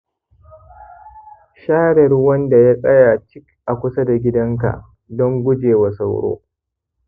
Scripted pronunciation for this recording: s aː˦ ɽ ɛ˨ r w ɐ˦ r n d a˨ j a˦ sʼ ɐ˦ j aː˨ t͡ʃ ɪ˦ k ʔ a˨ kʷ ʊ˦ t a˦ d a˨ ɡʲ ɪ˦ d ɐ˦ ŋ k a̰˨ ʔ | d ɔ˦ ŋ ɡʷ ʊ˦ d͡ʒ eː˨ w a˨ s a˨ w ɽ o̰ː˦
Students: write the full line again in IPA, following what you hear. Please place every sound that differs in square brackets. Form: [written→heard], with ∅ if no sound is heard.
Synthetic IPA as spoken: [s→ʃ] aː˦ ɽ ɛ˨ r w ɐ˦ [r→∅] n d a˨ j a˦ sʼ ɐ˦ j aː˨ t͡ʃ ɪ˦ k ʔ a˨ kʷ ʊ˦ [t→s] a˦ d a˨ ɡʲ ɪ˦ d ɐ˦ ŋ k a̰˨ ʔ | d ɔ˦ ŋ ɡʷ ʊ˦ d͡ʒ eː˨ w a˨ s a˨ w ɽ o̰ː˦